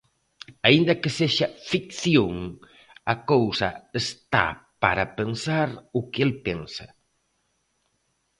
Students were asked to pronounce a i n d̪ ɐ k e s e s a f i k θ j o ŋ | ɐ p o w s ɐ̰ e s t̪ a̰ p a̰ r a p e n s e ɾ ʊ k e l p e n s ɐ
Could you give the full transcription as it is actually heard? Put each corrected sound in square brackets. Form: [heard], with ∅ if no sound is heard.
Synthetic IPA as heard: a i n d̪ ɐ k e s e [ʃ] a f i k θ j o ŋ | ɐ [k] o w s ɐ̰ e s t̪ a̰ p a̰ [ɾ] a p e n s [a] ɾ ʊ k e l p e n s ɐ